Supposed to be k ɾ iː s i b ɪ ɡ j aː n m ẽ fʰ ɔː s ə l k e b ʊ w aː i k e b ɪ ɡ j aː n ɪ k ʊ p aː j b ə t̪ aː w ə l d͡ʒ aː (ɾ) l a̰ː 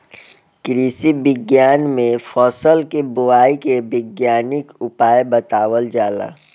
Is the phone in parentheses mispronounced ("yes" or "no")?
yes